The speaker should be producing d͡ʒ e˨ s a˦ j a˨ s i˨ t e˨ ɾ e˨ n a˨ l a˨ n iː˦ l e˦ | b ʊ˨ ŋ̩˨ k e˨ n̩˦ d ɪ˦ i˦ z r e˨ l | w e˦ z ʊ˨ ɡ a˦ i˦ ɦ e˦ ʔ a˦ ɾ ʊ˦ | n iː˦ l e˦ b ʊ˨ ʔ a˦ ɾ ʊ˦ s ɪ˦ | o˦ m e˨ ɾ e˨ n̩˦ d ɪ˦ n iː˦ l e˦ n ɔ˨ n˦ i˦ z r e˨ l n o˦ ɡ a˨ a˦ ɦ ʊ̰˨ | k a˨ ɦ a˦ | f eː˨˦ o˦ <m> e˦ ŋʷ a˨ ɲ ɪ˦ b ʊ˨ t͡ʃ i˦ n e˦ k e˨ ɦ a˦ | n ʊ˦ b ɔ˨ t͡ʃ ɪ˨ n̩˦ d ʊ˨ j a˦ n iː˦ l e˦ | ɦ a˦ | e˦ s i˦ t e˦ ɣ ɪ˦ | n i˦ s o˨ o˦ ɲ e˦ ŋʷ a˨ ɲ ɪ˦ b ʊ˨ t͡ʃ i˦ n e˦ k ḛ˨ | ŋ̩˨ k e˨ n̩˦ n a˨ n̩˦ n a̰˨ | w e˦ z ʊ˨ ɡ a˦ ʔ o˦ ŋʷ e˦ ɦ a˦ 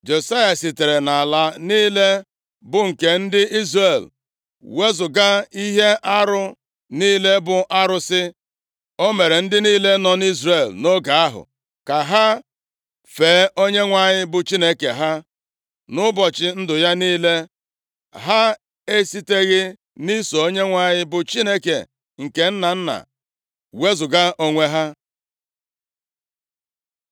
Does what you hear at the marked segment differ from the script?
yes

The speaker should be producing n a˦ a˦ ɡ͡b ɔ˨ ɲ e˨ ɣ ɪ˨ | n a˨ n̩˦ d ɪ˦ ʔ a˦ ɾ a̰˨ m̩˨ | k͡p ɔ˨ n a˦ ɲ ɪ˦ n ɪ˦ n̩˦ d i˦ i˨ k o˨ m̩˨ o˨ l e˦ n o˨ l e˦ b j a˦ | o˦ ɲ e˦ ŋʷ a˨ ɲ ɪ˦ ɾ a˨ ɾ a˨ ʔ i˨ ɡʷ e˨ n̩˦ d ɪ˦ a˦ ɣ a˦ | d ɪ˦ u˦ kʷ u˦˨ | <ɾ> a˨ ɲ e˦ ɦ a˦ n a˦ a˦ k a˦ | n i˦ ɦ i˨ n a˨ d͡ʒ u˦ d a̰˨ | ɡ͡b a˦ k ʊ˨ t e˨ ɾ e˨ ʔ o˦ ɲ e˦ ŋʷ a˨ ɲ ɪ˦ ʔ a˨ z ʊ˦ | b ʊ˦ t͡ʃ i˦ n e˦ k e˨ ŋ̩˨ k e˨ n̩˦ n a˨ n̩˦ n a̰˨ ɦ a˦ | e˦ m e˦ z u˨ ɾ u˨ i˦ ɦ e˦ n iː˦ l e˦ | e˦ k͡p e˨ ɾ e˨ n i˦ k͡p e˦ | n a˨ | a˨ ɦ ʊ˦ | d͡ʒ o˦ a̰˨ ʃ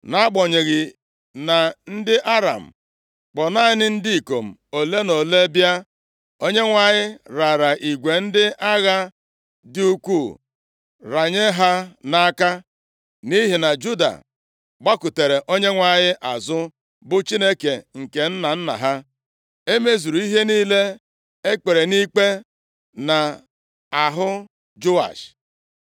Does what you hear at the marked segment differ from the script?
no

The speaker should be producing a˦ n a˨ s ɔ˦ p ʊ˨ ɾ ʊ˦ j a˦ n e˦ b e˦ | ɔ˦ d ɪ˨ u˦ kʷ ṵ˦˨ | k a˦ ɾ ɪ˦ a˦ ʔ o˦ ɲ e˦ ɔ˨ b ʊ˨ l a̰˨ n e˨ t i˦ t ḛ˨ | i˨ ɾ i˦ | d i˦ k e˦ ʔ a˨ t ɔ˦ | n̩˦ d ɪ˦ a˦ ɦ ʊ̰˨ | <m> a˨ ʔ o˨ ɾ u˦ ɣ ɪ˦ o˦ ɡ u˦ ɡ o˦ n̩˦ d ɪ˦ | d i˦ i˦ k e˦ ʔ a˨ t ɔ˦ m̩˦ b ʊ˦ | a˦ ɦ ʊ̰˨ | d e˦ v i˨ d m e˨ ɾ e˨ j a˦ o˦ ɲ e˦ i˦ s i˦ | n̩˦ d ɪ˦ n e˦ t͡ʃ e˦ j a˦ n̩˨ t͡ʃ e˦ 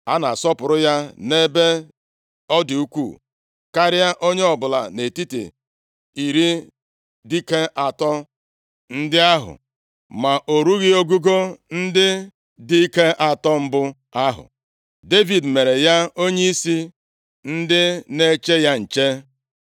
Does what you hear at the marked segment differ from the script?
no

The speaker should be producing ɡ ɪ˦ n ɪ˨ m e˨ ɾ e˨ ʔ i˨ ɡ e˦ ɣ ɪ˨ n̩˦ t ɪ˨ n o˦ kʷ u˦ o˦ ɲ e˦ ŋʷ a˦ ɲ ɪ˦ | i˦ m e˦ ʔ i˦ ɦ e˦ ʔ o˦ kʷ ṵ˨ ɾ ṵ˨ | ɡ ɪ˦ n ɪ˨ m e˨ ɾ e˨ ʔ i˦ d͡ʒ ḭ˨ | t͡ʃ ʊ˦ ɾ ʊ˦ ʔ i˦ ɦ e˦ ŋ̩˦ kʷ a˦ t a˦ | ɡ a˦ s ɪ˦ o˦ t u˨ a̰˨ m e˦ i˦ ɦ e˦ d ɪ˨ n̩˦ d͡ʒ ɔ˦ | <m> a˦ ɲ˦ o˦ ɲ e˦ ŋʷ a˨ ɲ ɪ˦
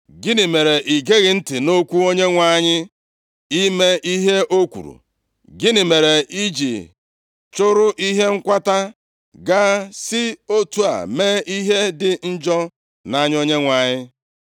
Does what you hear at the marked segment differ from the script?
yes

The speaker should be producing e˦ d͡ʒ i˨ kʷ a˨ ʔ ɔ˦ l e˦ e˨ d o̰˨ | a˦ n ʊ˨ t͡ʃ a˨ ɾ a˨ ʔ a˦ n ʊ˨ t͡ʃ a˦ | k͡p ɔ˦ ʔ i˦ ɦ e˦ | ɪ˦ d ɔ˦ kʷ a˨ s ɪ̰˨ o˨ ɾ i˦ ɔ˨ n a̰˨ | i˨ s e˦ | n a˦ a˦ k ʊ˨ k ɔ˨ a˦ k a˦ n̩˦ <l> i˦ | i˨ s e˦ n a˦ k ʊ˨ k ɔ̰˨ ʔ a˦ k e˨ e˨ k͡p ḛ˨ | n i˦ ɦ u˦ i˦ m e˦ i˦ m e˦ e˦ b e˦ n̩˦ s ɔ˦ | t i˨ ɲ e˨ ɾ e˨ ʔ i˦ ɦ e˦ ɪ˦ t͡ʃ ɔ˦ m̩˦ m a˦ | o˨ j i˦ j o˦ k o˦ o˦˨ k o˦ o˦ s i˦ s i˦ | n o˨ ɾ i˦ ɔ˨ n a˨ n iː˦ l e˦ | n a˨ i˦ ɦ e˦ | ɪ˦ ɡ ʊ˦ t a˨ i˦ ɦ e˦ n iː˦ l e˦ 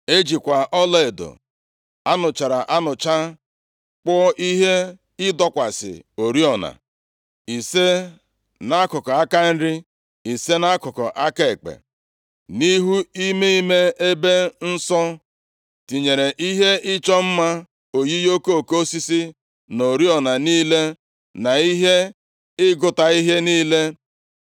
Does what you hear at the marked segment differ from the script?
yes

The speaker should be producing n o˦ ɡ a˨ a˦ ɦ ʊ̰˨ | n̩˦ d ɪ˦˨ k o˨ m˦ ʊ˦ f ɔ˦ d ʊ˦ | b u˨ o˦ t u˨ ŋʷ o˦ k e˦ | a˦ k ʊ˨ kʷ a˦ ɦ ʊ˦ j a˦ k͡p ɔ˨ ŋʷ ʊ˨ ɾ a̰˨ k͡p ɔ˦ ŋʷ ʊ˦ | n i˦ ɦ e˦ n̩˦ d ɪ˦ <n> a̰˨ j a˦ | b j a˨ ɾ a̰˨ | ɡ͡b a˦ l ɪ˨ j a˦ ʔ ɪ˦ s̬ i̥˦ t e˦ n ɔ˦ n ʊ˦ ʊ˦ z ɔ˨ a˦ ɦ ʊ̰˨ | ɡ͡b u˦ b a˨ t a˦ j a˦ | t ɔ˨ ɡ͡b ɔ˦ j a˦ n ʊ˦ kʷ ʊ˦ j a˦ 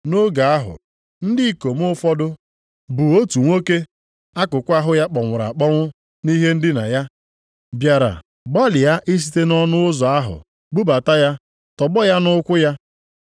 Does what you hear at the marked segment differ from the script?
no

